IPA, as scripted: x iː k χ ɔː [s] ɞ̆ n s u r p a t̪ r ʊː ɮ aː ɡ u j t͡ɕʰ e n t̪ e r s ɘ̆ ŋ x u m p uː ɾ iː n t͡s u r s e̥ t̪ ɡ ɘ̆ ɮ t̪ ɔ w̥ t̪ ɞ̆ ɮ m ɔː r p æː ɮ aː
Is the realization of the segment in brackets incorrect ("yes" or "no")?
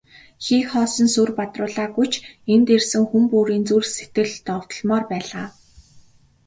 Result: no